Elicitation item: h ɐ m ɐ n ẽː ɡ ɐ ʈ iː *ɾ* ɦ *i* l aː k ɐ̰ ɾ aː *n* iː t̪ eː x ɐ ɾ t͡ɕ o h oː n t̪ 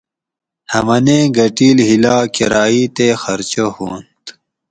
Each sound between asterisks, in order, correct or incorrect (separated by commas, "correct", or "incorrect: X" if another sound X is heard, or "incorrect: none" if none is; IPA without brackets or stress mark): incorrect: l, correct, incorrect: none